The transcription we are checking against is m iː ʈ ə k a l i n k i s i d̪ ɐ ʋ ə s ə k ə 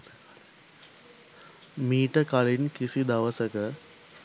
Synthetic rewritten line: m iː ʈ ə k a l i n k i s i d̪ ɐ ʋ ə s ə k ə